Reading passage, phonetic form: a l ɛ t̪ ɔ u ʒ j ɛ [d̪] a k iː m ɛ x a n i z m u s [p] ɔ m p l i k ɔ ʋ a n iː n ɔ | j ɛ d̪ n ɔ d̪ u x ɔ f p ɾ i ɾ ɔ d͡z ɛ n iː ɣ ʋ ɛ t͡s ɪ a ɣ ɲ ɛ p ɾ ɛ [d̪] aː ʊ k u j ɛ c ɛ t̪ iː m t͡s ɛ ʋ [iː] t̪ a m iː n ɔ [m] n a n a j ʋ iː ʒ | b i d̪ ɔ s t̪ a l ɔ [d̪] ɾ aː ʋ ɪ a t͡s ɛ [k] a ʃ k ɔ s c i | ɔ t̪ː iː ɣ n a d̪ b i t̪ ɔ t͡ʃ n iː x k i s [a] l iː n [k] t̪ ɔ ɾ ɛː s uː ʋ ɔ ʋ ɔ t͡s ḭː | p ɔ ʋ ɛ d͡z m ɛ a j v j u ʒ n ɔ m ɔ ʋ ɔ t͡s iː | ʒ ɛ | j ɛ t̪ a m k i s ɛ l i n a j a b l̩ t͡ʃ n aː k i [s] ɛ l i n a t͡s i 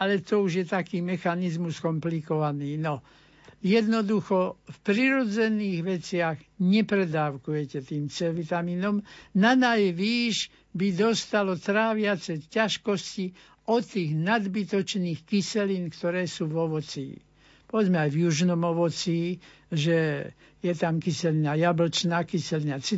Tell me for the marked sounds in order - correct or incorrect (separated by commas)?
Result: incorrect, incorrect, correct, incorrect, correct, incorrect, incorrect, incorrect, correct, correct